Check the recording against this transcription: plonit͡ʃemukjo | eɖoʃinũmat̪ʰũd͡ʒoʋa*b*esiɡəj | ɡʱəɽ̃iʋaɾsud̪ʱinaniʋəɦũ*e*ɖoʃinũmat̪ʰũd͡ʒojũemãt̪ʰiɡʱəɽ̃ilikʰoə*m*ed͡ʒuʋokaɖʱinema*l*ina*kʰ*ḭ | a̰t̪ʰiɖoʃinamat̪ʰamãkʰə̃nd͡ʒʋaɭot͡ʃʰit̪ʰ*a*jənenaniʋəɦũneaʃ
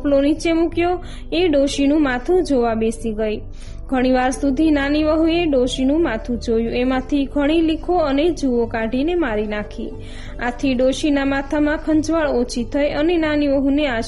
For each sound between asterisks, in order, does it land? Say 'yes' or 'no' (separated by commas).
yes, yes, no, no, yes, no